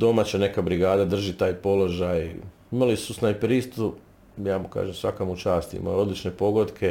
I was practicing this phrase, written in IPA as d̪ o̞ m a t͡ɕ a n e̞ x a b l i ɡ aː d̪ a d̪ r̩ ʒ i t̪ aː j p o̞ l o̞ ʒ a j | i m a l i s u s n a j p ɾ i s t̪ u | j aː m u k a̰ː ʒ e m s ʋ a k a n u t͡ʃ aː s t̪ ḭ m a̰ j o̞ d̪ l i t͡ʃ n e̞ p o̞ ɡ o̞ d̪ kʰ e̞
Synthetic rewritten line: d̪ o̞ m a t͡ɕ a n e̞ k a b ɾ i ɡ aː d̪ a d̪ r̩ ʒ i t̪ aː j p o̞ l o̞ ʒ a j | i m a l i s u s n a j p ɾ i s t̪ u | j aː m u k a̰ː ʒ e m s ʋ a k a m u t͡ʃ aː s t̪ ḭ m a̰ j o̞ d̪ l i t͡ʃ n e̞ p o̞ ɡ o̞ d̪ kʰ e̞